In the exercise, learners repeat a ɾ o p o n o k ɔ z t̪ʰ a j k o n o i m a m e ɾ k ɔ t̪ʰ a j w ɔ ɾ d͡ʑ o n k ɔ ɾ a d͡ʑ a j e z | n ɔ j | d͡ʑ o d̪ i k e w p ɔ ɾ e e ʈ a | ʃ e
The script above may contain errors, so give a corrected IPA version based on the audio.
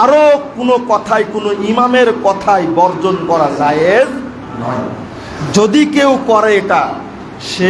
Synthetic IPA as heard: a ɾ o k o n o k ɔ t̪ʰ a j k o n o i m a m e ɾ k ɔ t̪ʰ a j b ɔ ɾ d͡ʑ o n k ɔ ɾ a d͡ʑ a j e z | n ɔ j | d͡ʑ o d̪ i k e w k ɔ ɾ e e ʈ a | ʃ e